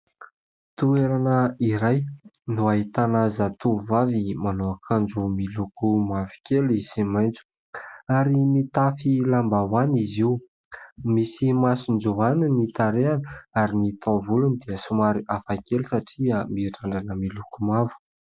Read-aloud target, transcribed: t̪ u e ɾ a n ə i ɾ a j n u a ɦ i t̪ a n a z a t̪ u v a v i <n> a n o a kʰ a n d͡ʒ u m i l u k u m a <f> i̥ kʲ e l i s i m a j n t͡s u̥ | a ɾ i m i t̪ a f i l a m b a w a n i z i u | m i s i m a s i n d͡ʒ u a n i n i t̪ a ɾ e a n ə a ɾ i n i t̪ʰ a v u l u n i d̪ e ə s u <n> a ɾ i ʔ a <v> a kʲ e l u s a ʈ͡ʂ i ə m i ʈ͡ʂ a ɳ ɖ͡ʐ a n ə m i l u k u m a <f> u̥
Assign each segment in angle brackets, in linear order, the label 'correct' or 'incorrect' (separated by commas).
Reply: incorrect, incorrect, incorrect, incorrect, incorrect